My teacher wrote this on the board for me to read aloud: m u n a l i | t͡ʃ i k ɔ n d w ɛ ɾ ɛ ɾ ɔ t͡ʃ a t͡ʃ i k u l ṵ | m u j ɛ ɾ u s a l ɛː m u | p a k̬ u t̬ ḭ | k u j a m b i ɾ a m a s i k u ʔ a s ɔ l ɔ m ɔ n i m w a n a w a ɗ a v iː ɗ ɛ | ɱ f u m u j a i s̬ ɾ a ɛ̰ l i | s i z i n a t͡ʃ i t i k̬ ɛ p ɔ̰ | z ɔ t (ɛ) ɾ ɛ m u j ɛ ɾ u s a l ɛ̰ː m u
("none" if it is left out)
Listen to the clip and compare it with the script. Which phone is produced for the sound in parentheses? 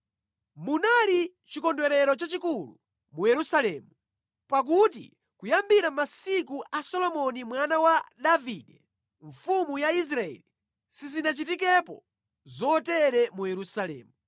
ɛ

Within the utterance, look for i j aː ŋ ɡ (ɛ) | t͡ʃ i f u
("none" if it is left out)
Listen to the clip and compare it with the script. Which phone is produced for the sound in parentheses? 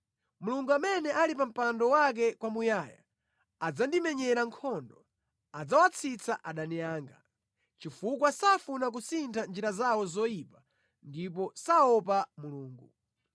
a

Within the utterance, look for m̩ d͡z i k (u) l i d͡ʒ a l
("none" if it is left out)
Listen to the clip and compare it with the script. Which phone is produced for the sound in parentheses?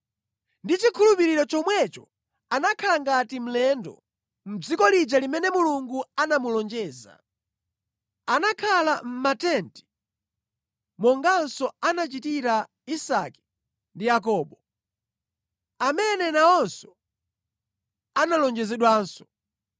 ɔ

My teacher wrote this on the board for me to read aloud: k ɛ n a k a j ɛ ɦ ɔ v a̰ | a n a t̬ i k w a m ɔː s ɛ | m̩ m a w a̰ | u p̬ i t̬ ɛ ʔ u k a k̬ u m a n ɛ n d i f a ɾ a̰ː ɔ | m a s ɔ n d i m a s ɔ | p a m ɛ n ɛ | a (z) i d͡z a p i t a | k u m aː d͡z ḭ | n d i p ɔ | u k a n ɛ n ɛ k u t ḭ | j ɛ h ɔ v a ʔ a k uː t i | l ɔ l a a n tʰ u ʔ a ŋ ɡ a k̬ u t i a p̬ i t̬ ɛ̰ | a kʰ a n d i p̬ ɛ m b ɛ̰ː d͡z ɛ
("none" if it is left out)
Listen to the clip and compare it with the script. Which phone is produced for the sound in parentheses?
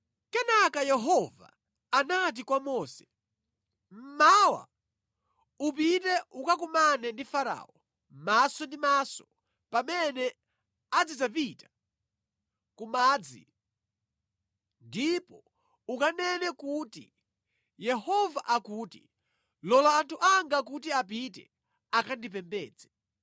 d͡z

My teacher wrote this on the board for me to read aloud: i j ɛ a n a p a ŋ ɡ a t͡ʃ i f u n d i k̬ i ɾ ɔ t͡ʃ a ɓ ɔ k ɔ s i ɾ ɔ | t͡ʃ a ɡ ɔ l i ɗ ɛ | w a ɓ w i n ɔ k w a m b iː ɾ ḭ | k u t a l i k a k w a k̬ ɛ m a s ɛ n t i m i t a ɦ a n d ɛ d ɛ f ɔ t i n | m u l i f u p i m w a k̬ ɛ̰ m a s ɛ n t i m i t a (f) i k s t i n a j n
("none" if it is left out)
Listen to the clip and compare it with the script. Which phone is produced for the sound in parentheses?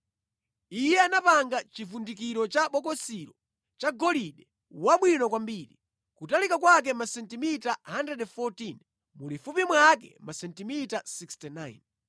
s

